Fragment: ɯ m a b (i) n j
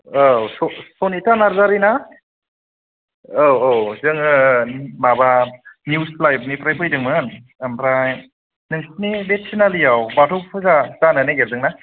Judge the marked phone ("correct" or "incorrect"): incorrect